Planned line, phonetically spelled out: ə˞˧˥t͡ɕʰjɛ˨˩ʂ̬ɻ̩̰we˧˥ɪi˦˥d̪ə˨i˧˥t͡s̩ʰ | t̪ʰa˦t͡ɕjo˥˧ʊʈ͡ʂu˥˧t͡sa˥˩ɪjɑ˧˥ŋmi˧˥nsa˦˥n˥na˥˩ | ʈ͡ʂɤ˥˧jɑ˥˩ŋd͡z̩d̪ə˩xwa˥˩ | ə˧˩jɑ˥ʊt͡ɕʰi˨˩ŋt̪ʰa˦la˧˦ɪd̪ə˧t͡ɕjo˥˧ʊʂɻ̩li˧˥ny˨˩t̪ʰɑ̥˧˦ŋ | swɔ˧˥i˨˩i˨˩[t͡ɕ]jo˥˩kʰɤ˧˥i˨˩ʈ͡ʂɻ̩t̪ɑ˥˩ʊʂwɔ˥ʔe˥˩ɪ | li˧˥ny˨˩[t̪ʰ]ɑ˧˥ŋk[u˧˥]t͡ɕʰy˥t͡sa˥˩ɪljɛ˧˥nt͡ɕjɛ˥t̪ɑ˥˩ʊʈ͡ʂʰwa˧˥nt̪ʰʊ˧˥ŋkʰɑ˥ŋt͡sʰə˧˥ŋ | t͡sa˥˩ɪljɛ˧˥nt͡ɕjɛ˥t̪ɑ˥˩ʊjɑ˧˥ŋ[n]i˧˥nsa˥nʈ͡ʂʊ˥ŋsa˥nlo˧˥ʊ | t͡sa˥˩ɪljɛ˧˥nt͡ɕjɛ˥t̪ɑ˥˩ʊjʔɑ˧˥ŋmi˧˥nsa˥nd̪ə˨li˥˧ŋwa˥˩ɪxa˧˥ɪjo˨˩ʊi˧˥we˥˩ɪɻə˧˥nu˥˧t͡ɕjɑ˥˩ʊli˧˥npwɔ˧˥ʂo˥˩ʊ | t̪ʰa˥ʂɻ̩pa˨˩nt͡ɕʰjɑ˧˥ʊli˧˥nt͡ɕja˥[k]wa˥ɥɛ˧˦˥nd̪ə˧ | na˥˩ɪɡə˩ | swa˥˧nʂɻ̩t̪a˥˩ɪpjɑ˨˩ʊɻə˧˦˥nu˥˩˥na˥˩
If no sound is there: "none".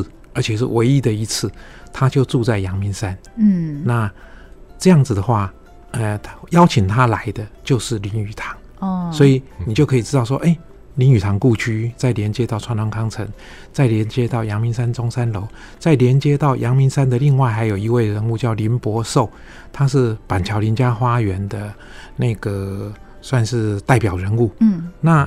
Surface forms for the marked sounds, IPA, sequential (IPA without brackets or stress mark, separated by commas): t͡ɕ, t̪ʰ, u˥˧, m, x